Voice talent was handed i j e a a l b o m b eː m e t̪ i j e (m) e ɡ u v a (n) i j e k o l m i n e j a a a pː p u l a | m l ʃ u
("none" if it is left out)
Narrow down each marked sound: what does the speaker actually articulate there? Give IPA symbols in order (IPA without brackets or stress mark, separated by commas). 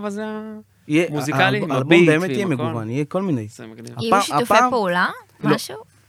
m, n